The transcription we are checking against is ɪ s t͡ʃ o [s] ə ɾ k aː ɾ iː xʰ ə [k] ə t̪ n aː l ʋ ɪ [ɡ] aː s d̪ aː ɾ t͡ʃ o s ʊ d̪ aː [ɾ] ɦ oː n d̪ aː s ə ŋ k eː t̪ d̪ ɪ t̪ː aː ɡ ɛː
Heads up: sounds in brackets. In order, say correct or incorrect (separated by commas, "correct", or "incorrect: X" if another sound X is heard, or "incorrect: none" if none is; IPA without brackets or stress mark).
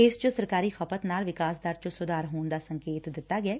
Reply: correct, incorrect: p, incorrect: k, correct